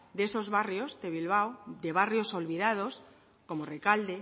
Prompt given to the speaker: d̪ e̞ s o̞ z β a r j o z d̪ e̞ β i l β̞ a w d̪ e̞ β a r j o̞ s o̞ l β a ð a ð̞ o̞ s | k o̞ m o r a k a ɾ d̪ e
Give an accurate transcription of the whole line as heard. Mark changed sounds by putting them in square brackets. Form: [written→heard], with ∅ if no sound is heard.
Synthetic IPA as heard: d̪ e̞ s o̞ z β a r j o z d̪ e̞ β i l β̞ a w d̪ e̞ β a r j o̞ s o̞ l β [a→i] ð a ð̞ o̞ s | k o̞ m o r [a→e] k a [ɾ→l] d̪ e

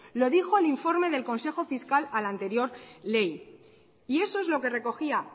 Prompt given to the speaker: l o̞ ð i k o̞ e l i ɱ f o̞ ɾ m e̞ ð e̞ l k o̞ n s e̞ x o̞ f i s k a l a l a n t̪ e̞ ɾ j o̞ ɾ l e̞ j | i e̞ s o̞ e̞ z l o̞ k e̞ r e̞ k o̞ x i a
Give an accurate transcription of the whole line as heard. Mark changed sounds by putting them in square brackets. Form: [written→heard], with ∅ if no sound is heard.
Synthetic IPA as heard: l o̞ ð i [k→x] o̞ e l i ɱ f o̞ ɾ m e̞ ð e̞ l k o̞ n s e̞ x o̞ f i s k a l a l a n t̪ e̞ ɾ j o̞ ɾ l e̞ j | i e̞ s o̞ e̞ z l o̞ k e̞ r e̞ k o̞ x i a

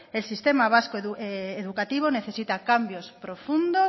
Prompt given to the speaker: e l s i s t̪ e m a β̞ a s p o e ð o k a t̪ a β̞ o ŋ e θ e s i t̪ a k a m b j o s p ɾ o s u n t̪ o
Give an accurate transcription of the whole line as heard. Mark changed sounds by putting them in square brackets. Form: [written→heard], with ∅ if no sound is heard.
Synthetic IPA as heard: e l s i s t̪ e m a β̞ a s [p→k] o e ð [o→u] k a t̪ [a→i] β̞ o [ŋ→n] e θ e s i t̪ a k a m b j o s p ɾ o [s→f] u n [t̪→d̪] o

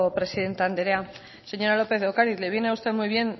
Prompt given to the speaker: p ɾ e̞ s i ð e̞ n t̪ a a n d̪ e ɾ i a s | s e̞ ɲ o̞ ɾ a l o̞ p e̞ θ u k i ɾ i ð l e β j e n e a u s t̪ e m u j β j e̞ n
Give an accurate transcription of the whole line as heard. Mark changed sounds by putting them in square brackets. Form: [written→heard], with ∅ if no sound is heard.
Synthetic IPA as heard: p ɾ e̞ s i ð e̞ n t̪ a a n d̪ e ɾ [i→e] a [s→∅] | s e̞ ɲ o̞ ɾ a l o̞ p e̞ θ [u→o] k [i→a] ɾ i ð l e β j e n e a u s t̪ e m u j β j e̞ n

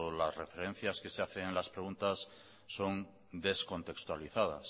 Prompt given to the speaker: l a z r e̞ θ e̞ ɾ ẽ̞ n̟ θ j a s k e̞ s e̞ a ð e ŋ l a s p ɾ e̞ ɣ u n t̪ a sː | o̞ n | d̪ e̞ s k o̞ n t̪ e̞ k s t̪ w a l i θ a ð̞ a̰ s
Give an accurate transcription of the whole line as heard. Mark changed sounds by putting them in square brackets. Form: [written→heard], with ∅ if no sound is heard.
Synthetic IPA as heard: l a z r e̞ [θ→f] e̞ ɾ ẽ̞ n̟ θ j a s k e̞ s e̞ a [ð→θ] e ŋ l a s p ɾ e̞ ɣ u n t̪ a sː | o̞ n | d̪ e̞ s k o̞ n t̪ e̞ k s t̪ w a l i θ a ð̞ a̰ s

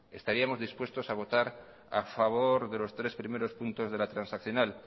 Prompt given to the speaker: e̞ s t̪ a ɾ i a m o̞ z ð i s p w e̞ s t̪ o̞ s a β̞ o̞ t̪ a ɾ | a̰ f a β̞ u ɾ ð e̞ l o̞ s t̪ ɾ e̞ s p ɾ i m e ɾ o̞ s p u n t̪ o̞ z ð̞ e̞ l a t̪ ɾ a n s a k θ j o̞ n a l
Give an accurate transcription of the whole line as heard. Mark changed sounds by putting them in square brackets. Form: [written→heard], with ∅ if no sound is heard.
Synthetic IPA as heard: e̞ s t̪ a ɾ i a m o̞ z ð i s p w e̞ s t̪ o̞ s a β̞ o̞ t̪ a ɾ | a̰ f a β̞ [u→o] ɾ ð e̞ l o̞ s t̪ ɾ e̞ s p ɾ i m e ɾ o̞ s p u n t̪ o̞ z ð̞ e̞ l a t̪ ɾ a n s a k θ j o̞ n a l

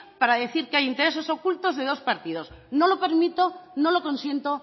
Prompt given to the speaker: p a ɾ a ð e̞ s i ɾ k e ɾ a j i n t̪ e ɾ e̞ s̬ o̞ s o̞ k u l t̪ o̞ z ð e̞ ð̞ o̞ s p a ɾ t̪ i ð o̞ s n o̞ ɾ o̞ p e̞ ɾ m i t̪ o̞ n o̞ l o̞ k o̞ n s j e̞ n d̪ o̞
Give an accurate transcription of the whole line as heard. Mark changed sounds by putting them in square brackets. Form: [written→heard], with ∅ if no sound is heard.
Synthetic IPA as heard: p a ɾ a ð e̞ [s→θ] i ɾ k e [ɾ→∅] a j i n t̪ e ɾ e̞ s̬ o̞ s o̞ k u l t̪ o̞ z ð e̞ ð̞ o̞ s p a ɾ t̪ i ð o̞ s n o̞ [ɾ→l] o̞ p e̞ ɾ m i t̪ o̞ n o̞ l o̞ k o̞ n s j e̞ n [d̪→t̪] o̞

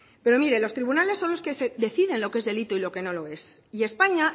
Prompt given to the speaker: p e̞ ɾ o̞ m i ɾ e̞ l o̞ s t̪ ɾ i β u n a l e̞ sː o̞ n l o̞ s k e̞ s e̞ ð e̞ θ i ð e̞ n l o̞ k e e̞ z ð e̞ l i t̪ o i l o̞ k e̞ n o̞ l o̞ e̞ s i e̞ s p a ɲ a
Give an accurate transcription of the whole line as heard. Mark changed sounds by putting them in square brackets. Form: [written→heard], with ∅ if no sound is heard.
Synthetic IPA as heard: p e̞ ɾ o̞ m i ɾ e̞ l o̞ s t̪ ɾ i β u n a l e̞ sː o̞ n l o̞ s k e̞ s e̞ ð e̞ θ i ð e̞ n l o̞ k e e̞ z ð e̞ l i t̪ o i l o̞ k e̞ n o̞ l o̞ e̞ s i e̞ s p a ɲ a

